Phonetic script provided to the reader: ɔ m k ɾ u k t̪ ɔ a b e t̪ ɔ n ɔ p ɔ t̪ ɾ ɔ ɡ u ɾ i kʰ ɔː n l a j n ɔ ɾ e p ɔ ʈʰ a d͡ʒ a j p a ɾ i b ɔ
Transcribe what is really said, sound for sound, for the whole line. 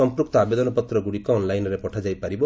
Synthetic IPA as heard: ɔ m p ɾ u k t̪ ɔ a b e d̪ ɔ n ɔ p ɔ t̪ ɾ ɔ ɡ u ɽ i k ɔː n l a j n ɔ ɾ e p ɔ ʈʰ a d͡ʒ a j p a ɾ i b ɔ